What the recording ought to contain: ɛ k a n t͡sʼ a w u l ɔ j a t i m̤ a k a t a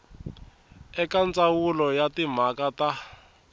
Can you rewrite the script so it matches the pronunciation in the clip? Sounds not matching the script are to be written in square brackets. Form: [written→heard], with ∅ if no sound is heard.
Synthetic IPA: ɛ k a n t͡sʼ a w u l ɔ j a t i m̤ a k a t a